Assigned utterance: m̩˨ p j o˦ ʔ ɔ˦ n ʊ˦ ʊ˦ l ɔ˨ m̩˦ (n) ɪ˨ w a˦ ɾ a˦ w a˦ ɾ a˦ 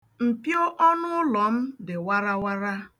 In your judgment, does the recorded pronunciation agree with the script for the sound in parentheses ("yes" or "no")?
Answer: no